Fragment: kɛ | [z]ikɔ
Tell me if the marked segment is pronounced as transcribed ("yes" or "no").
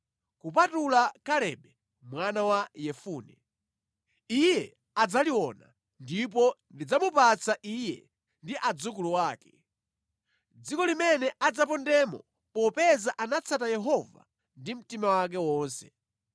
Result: no